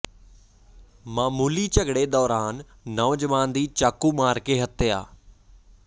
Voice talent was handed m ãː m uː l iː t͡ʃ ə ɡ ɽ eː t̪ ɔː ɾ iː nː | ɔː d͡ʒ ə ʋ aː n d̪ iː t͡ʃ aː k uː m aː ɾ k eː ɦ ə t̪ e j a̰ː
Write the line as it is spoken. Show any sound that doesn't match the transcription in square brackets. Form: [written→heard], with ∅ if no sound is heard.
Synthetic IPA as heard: m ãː m uː l iː t͡ʃ ə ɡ ɽ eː [t̪→d̪] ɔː ɾ [iː→aː] nː | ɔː d͡ʒ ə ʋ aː n d̪ iː t͡ʃ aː k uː m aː ɾ k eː ɦ ə t̪ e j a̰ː